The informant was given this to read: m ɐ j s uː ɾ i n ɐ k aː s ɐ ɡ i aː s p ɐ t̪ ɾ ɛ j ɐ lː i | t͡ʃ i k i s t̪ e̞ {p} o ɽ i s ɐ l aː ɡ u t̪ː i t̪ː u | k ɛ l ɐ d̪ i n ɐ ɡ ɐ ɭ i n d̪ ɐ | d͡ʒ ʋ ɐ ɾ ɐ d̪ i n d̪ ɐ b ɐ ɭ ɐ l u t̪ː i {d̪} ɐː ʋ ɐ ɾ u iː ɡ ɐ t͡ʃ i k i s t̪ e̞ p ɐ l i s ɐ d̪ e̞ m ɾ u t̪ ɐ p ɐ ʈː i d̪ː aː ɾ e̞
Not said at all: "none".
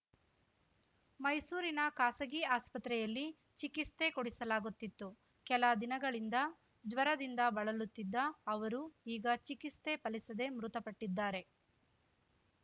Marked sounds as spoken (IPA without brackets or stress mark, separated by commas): k, d̪ː